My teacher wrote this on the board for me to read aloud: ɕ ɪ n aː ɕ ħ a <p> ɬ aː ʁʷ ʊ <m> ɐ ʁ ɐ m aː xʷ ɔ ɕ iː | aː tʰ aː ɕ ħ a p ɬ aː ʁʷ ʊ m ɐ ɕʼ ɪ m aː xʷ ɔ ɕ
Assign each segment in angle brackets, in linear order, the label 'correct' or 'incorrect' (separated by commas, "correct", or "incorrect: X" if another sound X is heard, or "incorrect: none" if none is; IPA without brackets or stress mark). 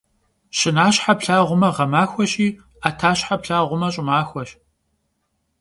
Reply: correct, correct